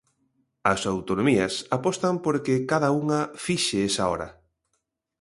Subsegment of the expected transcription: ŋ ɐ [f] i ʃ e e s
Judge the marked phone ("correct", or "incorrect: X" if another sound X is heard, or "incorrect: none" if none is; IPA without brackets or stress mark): correct